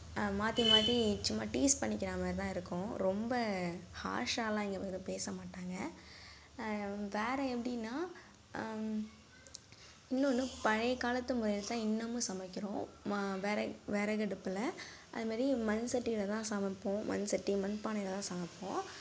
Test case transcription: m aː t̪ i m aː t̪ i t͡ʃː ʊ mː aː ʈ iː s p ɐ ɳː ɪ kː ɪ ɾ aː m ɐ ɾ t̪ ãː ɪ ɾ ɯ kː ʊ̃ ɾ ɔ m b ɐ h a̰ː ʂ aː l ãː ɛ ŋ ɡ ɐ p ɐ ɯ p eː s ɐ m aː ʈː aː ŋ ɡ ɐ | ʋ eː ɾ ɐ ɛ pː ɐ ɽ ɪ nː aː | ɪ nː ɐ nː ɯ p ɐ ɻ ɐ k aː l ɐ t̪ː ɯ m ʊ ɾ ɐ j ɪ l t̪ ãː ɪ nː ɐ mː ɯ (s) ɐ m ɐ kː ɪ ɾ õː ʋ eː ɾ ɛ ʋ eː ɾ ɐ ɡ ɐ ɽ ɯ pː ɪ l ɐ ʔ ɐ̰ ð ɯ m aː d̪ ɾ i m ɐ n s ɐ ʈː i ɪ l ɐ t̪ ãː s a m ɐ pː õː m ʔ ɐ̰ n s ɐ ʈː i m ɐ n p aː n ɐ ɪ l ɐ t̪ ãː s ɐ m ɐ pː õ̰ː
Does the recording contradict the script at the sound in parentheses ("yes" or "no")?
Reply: no